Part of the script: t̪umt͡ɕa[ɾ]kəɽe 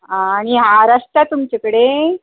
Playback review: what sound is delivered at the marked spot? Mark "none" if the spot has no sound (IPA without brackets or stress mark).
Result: none